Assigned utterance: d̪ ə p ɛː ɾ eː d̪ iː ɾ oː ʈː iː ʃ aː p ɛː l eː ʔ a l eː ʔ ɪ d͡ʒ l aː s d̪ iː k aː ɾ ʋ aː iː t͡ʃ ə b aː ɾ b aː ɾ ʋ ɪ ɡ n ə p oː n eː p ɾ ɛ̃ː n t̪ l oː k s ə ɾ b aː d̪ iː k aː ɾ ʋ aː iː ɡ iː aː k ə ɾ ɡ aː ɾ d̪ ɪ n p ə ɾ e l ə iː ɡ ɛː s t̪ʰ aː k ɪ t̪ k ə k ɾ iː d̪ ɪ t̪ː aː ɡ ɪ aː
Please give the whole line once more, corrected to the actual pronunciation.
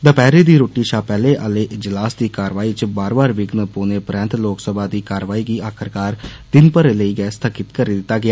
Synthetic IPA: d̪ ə p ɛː ɾ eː d̪ iː ɾ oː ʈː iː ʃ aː p ɛː l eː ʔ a l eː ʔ ɪ d͡ʒ l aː s d̪ iː k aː ɾ ʋ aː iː t͡ʃ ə b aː ɾ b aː ɾ ʋ ɪ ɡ n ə p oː n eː p ɾ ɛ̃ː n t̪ l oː k s ə b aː d̪ iː k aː ɾ ʋ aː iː ɡ iː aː kʰ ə ɾ k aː ɾ d̪ ɪ n p ə ɾ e l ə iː ɡ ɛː s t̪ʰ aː k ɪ t̪ k ə ɾ iː d̪ ɪ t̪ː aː ɡ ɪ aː